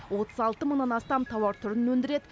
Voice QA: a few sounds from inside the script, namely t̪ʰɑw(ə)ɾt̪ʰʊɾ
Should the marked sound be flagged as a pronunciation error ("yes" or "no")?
yes